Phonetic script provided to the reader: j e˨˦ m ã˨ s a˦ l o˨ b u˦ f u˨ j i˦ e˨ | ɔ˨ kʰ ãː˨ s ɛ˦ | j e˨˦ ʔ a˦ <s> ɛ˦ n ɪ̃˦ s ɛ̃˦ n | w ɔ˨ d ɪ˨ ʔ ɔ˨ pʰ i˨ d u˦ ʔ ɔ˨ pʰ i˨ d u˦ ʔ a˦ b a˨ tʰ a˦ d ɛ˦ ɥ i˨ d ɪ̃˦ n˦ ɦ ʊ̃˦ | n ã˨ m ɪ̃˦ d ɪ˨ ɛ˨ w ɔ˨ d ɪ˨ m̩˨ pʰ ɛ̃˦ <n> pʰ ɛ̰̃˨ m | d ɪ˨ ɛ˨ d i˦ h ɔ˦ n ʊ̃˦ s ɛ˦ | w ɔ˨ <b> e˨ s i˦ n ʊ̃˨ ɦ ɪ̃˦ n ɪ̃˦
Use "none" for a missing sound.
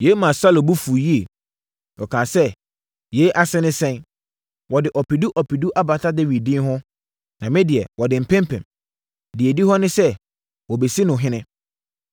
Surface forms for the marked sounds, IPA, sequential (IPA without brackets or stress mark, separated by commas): s, m, b